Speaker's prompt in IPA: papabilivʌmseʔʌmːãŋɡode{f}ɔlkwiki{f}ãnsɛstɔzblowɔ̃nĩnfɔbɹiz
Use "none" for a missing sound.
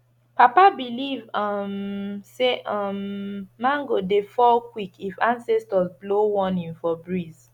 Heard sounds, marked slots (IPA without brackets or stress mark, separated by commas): f, f